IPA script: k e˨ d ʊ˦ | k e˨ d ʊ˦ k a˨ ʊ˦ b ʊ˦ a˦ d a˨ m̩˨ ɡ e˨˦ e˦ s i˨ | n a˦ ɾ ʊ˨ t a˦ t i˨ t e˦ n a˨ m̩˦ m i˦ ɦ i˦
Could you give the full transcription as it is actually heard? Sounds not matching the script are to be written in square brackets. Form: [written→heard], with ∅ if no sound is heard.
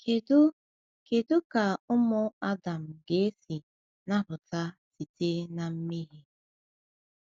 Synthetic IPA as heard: k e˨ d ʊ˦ | k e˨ d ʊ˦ k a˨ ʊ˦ [b→m] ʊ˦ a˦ d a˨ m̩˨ ɡ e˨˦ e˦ s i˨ | n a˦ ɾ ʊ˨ t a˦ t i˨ t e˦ n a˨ m̩˦ m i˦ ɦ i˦

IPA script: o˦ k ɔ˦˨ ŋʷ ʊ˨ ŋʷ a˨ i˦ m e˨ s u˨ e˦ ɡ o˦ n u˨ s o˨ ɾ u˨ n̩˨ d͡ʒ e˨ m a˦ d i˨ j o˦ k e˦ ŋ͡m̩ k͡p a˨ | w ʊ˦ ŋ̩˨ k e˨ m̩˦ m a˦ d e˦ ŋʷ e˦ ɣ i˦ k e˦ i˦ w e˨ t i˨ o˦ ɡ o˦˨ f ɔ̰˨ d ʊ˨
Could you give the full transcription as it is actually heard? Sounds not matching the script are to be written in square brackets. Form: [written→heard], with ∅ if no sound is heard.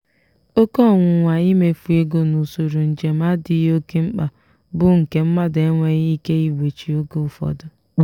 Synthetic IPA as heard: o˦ k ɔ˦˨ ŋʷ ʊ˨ ŋʷ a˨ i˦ m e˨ [s→f] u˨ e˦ ɡ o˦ n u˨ s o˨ ɾ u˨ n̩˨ d͡ʒ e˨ m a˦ d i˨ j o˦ k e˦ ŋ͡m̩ k͡p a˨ | [w→b] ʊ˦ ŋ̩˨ k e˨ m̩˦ m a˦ d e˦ ŋʷ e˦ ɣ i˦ k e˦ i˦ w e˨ [t→t͡ʃ] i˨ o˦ ɡ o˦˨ f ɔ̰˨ d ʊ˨

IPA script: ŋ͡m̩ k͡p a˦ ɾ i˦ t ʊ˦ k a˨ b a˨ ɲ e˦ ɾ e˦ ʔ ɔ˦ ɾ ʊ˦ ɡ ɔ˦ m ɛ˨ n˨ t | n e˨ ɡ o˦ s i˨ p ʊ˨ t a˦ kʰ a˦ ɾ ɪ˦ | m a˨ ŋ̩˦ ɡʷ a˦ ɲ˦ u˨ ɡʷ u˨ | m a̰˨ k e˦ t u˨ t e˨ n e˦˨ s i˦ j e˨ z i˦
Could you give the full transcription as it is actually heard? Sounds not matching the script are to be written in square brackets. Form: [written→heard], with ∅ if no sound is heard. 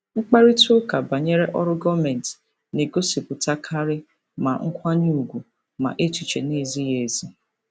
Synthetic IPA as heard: ŋ͡m̩ k͡p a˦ ɾ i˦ t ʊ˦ k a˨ b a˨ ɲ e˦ ɾ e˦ ʔ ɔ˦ ɾ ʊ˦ ɡ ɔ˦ m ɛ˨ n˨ t | n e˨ ɡ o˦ s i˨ p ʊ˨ t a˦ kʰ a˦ ɾ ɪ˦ | m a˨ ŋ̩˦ [ɡʷ→kʷ] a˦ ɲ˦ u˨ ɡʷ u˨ | m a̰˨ [k→ʔ] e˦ t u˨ [t→t͡ʃ] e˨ n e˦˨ [s→z] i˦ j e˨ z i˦

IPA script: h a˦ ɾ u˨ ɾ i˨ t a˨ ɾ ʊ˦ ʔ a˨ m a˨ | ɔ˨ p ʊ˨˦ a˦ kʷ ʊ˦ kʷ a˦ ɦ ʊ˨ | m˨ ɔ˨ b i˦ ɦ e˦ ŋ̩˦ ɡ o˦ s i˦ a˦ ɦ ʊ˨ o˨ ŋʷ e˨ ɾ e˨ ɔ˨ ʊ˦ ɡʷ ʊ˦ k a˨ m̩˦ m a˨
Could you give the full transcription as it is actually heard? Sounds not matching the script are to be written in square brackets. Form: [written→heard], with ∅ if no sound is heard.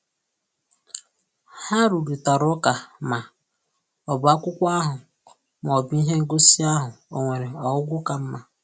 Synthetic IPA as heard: h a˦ ɾ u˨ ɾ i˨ t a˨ ɾ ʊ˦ [ʔ→k] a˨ m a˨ | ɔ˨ [p→b] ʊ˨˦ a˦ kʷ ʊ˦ kʷ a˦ ɦ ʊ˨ | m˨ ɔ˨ b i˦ ɦ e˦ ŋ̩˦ ɡ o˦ s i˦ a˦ ɦ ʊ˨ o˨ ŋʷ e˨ ɾ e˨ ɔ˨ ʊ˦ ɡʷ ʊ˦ k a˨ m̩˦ m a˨

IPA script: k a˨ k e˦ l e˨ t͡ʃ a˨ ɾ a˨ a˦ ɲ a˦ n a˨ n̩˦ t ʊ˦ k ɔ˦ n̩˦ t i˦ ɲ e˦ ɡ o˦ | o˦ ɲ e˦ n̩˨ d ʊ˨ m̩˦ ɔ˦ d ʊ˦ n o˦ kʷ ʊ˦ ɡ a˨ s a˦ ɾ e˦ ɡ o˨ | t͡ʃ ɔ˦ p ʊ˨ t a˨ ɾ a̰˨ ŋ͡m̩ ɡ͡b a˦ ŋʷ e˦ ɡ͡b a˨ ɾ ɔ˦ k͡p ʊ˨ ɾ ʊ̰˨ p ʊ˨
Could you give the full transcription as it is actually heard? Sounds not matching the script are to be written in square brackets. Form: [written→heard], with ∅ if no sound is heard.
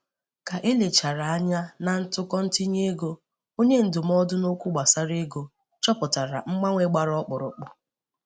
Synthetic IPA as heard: k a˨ [k→ʔ] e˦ l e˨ t͡ʃ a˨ ɾ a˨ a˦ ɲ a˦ n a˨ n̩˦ t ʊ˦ k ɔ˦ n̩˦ t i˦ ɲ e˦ ɡ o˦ | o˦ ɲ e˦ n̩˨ d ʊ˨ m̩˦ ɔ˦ d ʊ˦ n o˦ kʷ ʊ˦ [ɡ→ɡ͡b] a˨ s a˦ ɾ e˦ ɡ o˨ | t͡ʃ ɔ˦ p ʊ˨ t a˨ ɾ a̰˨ ŋ͡m̩ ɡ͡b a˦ ŋʷ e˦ ɡ͡b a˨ ɾ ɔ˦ k͡p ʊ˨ ɾ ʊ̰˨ [p→k͡p] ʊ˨

